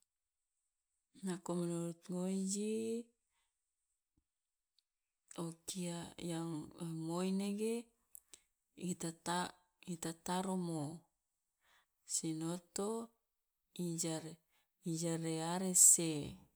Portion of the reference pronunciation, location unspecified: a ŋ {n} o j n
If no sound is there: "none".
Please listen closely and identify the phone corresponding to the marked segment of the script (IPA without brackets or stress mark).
m